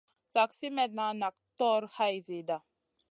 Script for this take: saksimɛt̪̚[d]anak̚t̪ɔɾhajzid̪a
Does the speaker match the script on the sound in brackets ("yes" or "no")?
no